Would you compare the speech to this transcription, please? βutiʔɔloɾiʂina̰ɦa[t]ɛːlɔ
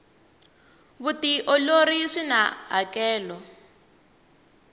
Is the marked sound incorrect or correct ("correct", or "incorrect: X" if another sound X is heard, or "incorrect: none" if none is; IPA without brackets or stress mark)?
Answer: incorrect: k